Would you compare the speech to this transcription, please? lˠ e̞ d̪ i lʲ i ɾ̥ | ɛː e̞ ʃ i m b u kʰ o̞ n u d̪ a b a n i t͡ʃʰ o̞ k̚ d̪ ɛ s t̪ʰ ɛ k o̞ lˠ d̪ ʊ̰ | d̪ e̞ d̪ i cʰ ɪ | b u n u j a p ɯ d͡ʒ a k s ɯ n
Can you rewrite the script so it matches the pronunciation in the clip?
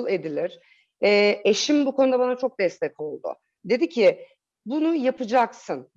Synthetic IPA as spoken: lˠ e̞ d̪ i lʲ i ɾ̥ | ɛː e̞ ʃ i m b u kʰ o̞ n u d̪ a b a n a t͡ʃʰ o̞ k̚ d̪ ɛ s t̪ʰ ɛ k o̞ lˠ d̪ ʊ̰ | d̪ e̞ d̪ i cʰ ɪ | b u n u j a p ɯ d͡ʒ a k s ɯ n